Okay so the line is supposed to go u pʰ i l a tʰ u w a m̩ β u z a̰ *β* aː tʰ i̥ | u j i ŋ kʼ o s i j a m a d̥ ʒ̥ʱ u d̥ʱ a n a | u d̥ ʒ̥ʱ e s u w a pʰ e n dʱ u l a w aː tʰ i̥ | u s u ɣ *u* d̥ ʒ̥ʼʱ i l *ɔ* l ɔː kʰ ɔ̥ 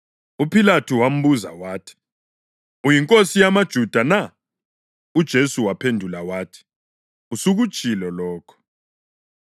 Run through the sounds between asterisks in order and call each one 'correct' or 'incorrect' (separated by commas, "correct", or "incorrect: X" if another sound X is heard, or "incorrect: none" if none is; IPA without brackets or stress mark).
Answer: incorrect: w, correct, correct